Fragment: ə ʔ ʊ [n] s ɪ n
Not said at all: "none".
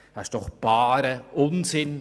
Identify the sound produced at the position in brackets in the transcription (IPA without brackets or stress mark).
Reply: n